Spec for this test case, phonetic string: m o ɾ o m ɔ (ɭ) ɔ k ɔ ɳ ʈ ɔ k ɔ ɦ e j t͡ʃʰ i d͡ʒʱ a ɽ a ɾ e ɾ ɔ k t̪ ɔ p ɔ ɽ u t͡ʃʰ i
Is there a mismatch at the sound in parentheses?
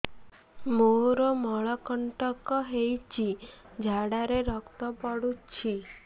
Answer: no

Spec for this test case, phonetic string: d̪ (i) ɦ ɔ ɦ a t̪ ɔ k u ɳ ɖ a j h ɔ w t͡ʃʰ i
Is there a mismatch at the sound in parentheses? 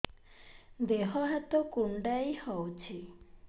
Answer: yes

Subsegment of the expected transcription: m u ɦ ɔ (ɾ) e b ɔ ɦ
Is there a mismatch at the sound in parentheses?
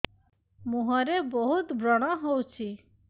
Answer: no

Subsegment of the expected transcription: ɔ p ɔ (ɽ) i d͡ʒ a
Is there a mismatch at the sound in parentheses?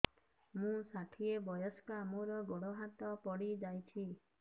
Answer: no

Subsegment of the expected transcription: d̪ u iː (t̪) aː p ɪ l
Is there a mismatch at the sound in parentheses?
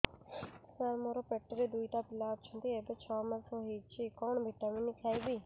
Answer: no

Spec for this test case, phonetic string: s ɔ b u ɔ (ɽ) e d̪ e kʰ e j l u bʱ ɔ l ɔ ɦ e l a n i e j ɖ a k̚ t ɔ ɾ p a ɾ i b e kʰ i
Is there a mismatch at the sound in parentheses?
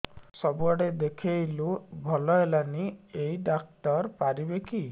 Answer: no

